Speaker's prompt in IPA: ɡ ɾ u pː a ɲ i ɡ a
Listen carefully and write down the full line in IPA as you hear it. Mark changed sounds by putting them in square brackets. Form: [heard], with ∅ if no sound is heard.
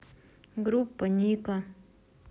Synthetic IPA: ɡ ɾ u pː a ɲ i [k] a